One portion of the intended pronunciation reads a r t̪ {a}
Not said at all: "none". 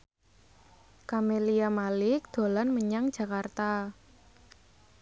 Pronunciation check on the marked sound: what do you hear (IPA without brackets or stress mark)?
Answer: a